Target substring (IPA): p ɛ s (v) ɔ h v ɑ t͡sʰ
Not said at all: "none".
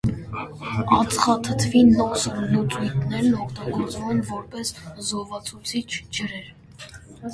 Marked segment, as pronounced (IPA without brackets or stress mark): z